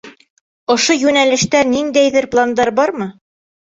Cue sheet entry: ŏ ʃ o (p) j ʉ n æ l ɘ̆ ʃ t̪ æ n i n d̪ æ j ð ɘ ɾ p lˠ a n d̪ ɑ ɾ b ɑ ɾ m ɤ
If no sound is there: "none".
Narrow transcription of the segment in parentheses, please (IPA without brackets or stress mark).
none